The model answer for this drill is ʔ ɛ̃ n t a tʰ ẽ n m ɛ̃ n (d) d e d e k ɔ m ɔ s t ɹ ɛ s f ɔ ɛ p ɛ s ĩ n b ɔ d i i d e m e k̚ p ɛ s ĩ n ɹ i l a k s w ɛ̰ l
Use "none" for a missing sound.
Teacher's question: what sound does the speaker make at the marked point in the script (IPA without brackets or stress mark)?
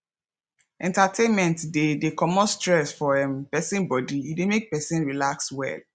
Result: t